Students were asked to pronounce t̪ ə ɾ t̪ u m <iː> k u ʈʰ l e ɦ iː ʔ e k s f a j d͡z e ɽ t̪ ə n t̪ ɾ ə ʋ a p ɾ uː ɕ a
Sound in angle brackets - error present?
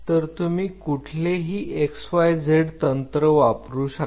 no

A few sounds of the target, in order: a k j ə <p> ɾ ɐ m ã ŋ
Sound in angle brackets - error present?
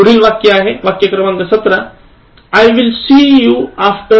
yes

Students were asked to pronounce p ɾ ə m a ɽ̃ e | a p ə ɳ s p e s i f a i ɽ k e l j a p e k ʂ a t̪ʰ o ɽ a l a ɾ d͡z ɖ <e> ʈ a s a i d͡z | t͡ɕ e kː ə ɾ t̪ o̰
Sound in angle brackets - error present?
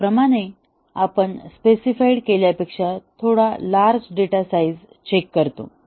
no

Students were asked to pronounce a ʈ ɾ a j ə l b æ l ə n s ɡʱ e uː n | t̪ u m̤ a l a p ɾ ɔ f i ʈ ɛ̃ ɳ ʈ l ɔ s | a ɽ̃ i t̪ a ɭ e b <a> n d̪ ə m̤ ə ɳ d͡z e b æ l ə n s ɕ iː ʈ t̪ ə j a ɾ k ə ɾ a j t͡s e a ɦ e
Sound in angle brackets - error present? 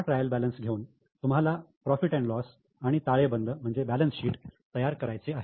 yes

